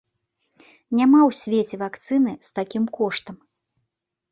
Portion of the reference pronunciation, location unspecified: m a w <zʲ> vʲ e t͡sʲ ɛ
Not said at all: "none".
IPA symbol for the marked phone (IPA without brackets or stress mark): sʲ